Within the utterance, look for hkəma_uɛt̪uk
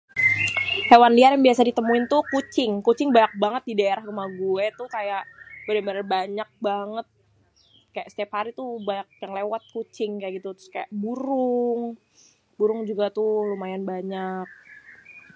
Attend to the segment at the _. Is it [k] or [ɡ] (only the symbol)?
ɡ